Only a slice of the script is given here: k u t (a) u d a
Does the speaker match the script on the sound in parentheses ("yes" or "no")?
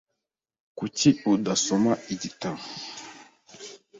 no